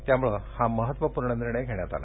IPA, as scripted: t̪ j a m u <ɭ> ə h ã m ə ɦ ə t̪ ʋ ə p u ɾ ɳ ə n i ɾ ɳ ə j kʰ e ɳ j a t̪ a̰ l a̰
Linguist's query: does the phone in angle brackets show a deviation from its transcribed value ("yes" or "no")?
no